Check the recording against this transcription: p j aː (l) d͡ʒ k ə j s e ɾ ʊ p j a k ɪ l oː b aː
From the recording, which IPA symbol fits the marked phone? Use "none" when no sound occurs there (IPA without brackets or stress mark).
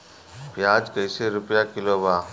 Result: none